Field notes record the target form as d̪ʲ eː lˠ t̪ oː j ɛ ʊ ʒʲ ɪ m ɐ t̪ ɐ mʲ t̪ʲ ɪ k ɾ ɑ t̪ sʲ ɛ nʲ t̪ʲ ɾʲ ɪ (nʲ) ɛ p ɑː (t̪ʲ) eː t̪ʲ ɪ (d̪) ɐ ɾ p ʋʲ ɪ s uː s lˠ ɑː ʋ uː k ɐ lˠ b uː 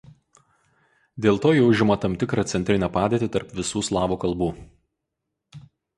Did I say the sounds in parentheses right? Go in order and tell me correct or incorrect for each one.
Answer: correct, incorrect: d̪ʲ, incorrect: t̪

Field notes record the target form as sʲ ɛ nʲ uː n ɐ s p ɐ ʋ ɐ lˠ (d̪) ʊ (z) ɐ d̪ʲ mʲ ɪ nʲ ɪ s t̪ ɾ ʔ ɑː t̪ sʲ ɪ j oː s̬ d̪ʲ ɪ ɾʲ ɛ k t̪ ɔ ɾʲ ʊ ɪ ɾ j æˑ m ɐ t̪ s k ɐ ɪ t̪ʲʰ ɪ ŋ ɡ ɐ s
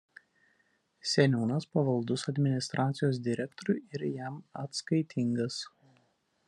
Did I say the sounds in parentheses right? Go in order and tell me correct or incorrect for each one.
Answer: correct, incorrect: s

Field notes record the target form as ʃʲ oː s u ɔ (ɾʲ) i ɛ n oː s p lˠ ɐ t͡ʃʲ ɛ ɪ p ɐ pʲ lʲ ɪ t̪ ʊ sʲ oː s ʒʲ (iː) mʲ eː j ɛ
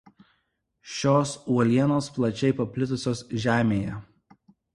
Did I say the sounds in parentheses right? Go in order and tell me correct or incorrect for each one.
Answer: incorrect: lʲ, incorrect: æː

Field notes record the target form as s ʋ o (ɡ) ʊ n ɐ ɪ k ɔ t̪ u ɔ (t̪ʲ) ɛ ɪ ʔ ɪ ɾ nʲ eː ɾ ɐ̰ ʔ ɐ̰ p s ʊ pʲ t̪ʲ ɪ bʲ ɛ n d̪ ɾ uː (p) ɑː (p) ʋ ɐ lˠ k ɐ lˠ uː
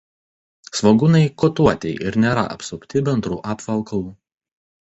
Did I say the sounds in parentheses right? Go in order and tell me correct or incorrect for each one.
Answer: correct, correct, incorrect: ʔ, correct

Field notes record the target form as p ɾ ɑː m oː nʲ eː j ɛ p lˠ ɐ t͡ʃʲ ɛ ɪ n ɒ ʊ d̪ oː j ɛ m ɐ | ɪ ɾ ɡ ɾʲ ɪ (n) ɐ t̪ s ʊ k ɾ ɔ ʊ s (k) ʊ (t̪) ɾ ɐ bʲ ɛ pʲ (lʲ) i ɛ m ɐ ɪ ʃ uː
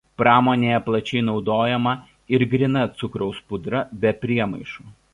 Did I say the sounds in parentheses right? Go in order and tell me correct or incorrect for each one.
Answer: correct, incorrect: p, incorrect: d̪, incorrect: ɾʲ

